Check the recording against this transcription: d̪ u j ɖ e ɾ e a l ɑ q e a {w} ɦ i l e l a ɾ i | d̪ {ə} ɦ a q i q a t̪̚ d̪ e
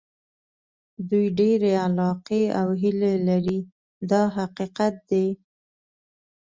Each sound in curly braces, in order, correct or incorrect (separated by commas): correct, incorrect